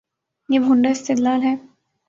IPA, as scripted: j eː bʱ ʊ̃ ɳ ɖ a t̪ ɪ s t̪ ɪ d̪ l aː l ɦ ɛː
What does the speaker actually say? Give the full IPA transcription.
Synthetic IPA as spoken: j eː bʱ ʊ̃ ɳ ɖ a ɪ s t̪ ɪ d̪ l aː l ɦ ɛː